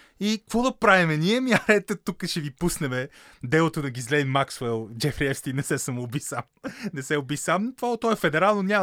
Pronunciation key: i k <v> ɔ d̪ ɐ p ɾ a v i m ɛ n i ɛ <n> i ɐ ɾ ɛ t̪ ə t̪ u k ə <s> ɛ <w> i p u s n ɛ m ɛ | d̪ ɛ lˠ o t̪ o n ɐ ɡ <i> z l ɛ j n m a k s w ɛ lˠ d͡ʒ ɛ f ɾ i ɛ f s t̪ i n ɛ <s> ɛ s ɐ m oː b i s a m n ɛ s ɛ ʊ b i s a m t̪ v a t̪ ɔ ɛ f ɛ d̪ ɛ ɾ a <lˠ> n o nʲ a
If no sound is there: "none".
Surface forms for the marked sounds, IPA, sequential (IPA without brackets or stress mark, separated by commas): v, m, ʃ, v, i, s, lˠ